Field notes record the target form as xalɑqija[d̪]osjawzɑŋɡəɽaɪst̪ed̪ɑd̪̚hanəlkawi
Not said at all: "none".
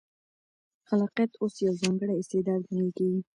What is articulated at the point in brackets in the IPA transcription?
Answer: t̪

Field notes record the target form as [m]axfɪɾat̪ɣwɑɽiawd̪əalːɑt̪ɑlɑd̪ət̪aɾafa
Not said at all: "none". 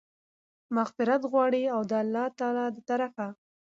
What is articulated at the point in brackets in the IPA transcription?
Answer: m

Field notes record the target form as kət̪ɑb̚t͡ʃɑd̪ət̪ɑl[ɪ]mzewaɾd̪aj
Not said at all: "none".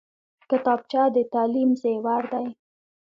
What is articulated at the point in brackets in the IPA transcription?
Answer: i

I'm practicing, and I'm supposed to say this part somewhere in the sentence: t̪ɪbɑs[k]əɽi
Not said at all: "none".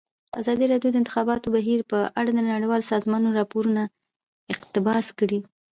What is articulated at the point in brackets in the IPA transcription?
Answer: k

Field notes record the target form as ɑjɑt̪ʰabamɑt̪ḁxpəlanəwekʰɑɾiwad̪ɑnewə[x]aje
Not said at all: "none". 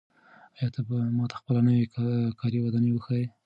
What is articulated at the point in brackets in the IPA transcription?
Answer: x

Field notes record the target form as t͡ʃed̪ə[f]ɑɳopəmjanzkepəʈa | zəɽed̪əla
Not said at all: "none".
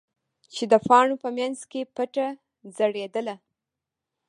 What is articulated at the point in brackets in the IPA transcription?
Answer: f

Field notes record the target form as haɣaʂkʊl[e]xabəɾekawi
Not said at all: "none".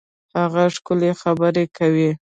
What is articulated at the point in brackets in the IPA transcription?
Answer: e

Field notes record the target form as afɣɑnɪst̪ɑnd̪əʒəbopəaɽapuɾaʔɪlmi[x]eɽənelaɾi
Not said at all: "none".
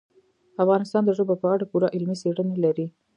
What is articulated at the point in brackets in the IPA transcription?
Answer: s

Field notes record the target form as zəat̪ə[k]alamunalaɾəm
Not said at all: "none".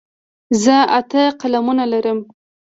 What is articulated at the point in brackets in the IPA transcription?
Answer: q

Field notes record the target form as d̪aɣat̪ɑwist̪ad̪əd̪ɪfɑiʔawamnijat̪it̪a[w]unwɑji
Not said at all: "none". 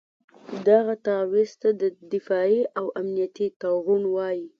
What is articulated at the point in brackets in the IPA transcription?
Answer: ɣ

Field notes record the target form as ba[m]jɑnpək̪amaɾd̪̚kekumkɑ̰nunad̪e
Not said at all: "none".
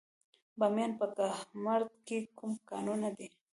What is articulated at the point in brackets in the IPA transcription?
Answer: m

